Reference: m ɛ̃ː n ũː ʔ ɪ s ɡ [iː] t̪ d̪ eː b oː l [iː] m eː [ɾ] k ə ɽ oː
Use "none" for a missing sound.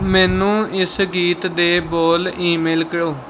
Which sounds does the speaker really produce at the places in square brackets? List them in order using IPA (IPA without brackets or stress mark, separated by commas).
iː, iː, l